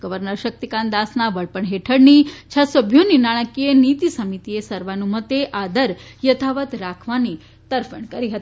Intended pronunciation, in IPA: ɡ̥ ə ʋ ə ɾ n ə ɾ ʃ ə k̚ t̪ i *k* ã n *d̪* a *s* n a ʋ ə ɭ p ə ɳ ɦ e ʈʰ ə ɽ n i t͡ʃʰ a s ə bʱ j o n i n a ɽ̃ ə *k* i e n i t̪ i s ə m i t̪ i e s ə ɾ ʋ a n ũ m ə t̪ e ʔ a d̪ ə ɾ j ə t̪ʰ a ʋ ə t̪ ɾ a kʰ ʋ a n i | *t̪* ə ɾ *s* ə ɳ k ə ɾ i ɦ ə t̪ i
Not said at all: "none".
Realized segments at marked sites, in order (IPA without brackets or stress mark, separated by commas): k, d̪, s, k, t̪, f